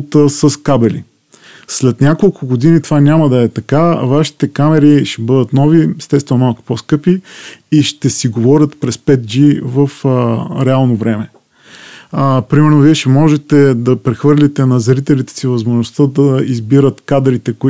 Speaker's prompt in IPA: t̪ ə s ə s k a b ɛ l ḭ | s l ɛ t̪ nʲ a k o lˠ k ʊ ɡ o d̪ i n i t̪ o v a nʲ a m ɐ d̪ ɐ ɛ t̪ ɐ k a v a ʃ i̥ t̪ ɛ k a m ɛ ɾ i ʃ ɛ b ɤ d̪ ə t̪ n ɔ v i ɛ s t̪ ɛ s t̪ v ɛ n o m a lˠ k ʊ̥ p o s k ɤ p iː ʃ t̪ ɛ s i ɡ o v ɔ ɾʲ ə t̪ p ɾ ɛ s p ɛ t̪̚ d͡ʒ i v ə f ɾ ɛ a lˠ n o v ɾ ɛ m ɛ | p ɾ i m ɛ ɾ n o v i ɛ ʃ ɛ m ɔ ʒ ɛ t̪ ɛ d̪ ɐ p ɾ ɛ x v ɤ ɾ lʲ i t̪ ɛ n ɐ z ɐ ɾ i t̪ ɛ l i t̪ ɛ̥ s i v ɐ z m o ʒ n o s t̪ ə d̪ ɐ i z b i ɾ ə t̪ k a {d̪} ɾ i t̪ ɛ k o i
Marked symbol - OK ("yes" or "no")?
yes